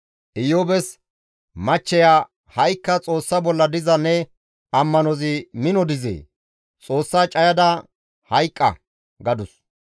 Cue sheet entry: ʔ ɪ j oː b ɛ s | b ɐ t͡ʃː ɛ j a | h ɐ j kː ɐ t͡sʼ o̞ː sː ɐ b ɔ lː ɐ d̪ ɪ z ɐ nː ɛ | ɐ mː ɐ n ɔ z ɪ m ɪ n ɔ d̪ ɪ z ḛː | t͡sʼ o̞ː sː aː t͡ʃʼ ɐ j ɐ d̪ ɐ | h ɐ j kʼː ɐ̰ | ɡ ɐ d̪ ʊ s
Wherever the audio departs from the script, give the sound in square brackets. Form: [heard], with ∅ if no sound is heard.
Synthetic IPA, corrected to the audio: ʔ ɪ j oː b ɛ s | [m] ɐ t͡ʃː ɛ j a | h ɐ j kː ɐ t͡sʼ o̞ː sː ɐ b ɔ lː ɐ d̪ ɪ z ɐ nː ɛ | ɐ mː ɐ n ɔ z ɪ m ɪ n ɔ d̪ ɪ z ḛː | t͡sʼ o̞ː sː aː t͡ʃʼ ɐ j ɐ d̪ ɐ | h ɐ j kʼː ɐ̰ | ɡ ɐ d̪ ʊ s